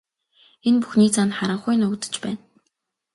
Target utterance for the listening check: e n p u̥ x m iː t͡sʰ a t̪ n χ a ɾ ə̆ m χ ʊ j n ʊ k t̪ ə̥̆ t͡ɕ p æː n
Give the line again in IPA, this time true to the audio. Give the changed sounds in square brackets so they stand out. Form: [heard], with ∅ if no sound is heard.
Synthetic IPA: e n p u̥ x [n] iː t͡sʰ a [∅] n χ a ɾ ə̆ [ɴ] χ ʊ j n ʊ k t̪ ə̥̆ t͡ɕ p æː n